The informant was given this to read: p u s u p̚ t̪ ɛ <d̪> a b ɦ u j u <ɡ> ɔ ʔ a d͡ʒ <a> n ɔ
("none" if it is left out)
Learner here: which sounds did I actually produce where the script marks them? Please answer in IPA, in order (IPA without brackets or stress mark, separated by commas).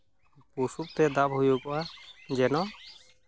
d̪, k, ɛ